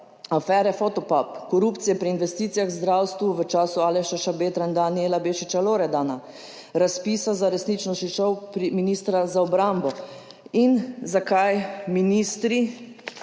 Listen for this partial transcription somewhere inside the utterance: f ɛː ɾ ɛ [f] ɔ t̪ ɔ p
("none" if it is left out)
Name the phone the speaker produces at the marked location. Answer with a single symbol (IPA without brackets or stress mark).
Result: f